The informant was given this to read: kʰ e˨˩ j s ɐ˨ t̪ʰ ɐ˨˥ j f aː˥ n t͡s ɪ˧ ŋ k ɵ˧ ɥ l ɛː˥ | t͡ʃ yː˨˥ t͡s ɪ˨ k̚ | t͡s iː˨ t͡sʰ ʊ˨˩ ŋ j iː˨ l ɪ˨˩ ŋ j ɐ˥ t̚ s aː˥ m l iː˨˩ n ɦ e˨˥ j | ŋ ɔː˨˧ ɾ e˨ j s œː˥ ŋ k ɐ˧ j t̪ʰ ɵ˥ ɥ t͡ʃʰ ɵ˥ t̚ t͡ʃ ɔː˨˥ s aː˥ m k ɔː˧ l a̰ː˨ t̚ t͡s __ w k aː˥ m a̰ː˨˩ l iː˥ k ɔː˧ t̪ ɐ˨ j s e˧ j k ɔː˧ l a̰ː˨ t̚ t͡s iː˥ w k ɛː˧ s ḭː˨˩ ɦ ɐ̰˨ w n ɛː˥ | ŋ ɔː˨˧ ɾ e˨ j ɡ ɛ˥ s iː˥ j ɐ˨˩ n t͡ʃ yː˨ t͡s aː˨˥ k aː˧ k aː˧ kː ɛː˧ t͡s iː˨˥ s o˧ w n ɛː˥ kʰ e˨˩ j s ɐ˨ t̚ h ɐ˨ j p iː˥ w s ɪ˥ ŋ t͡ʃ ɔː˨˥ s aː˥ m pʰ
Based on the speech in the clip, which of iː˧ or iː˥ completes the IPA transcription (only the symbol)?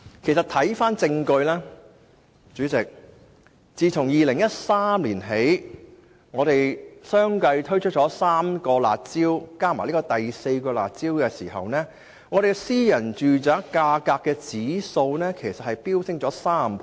iː˥